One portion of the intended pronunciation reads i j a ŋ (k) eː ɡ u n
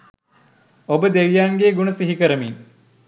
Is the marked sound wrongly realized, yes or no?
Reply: yes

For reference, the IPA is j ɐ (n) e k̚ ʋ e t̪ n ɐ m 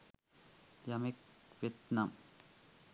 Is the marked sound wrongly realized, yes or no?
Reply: yes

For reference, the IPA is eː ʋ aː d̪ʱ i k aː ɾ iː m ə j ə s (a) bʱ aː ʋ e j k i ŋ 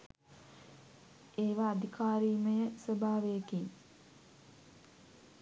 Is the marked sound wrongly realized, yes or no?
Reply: yes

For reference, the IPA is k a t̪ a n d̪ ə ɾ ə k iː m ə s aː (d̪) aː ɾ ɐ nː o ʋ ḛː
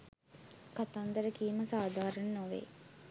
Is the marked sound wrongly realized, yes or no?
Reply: no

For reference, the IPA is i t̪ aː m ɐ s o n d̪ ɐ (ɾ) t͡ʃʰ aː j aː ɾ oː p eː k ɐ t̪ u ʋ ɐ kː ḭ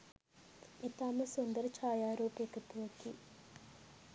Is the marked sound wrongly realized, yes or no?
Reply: no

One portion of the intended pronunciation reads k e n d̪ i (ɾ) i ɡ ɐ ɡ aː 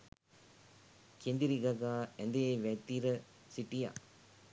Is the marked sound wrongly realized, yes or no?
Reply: no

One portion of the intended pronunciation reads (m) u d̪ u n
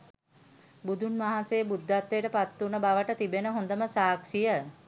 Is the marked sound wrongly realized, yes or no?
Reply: yes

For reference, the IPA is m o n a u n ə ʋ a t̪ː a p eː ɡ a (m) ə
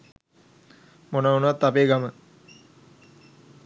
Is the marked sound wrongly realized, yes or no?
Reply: no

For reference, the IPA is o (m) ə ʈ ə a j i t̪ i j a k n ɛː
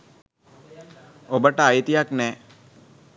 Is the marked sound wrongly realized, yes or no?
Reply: yes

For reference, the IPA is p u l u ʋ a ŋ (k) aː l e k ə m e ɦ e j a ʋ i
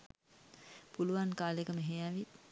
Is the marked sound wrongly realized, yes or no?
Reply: no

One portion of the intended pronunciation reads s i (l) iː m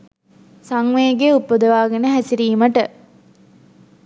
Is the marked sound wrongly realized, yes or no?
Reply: yes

